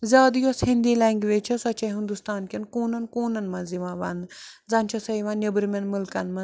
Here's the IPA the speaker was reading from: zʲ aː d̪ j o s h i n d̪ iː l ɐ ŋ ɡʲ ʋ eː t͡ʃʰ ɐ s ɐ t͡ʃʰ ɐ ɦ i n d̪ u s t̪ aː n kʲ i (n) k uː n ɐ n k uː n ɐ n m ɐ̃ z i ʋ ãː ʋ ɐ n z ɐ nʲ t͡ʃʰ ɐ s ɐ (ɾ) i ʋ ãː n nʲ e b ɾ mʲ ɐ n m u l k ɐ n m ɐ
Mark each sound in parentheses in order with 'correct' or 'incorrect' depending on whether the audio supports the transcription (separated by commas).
correct, incorrect